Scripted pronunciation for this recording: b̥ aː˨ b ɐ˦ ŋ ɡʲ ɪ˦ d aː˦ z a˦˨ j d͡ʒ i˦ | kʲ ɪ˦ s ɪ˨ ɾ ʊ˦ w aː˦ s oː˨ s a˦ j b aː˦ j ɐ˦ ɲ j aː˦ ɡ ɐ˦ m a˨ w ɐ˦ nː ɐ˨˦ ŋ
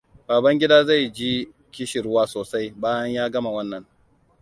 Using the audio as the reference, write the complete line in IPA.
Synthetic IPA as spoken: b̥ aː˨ b ɐ˦ ŋ ɡʲ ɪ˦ d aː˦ z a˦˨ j d͡ʒ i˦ | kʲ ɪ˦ ʃ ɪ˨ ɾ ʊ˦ w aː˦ s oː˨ s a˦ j b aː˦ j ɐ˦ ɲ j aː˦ ɡ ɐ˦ m a˨ w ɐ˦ nː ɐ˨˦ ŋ